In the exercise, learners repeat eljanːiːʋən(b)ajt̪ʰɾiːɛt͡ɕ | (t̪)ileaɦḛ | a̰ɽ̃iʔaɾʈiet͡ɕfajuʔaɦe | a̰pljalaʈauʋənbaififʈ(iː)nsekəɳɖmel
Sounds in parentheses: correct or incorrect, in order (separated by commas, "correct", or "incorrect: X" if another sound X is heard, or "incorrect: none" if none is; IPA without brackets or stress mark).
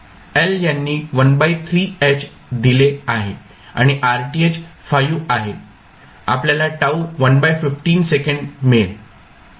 correct, incorrect: d̪, correct